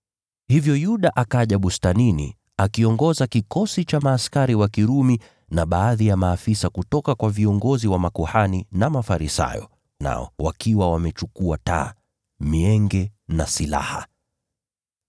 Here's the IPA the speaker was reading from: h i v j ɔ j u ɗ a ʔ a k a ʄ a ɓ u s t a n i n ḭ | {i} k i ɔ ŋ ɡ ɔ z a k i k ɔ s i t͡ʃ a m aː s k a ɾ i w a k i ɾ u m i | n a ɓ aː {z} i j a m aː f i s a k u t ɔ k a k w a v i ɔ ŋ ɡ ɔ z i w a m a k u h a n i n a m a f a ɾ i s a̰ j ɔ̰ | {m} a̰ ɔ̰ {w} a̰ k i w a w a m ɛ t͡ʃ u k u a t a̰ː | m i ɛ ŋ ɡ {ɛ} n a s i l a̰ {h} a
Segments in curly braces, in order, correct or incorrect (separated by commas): incorrect, incorrect, incorrect, correct, correct, correct